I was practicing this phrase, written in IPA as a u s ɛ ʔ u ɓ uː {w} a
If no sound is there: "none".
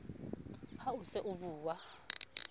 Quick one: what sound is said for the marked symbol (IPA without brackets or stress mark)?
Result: w